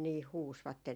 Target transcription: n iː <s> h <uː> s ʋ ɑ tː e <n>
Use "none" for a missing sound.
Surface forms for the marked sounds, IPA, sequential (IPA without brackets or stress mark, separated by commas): h, uː, n